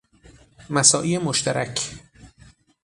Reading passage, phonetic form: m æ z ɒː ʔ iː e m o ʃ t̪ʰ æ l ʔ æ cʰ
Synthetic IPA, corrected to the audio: m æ s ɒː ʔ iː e m o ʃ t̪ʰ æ ɾ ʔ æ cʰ

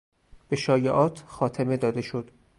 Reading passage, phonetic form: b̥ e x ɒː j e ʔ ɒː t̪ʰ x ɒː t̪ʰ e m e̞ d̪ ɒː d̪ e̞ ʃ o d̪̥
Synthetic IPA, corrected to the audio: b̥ e ʃ ɒː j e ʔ ɒː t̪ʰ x ɒː t̪ʰ e m e̞ d̪ ɒː d̪ e̞ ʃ o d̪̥

